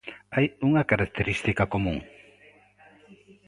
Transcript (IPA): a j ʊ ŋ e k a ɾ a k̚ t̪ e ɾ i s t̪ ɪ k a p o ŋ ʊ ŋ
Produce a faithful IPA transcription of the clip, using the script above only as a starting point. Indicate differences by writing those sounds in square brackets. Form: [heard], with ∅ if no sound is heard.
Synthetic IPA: a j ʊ ŋ [a] k a ɾ a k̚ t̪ e ɾ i s t̪ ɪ k a [k] o [m] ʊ ŋ